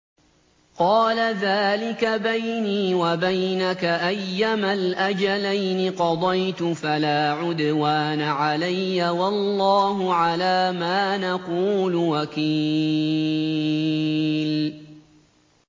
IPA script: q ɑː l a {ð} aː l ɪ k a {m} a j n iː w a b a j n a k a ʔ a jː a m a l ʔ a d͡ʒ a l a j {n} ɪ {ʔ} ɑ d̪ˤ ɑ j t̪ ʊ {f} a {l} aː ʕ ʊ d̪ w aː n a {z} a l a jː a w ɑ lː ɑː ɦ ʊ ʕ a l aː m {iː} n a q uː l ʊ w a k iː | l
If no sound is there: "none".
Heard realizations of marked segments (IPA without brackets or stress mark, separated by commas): ð, b, n, q, f, l, ʕ, aː